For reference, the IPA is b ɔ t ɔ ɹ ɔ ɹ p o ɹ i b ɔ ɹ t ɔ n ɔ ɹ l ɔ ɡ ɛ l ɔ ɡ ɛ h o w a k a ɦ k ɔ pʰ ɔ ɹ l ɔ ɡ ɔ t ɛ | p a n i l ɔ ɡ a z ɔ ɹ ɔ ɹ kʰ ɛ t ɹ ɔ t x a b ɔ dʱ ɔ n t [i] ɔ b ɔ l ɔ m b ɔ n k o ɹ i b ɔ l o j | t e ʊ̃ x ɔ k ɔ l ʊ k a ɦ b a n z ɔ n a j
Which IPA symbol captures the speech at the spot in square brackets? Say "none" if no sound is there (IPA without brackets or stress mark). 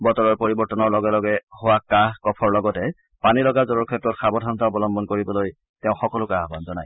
a